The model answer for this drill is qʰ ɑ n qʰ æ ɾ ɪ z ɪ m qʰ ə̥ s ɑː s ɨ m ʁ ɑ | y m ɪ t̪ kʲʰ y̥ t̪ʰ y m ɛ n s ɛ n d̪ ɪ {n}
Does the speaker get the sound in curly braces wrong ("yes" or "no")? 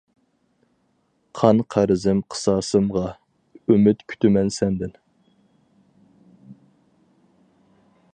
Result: no